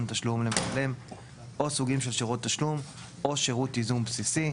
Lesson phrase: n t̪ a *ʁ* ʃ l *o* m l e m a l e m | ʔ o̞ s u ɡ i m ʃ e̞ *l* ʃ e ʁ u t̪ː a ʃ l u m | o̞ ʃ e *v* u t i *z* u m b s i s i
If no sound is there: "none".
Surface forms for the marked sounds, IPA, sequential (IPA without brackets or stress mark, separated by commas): none, u, l, ʁ, z